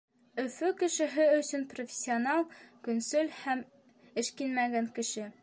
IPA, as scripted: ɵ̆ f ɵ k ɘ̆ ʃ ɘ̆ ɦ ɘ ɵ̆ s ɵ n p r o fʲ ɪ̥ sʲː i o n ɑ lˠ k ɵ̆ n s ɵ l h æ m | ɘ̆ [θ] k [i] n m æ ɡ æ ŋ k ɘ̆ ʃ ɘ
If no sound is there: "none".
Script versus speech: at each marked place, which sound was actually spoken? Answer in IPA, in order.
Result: ʃ, i

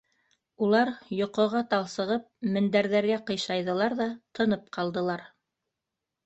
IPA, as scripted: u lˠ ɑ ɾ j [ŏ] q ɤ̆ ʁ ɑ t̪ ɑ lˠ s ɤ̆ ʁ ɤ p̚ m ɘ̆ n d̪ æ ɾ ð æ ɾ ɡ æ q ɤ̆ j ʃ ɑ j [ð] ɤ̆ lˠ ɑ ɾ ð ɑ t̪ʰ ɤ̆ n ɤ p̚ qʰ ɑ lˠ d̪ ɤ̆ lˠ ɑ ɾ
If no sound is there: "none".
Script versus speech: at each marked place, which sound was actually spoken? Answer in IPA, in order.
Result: ŏ, ð

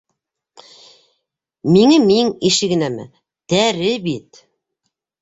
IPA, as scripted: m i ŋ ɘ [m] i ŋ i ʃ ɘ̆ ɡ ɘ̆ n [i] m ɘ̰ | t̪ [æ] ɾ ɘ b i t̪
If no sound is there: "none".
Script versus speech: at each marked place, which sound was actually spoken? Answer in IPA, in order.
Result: m, æ, æ

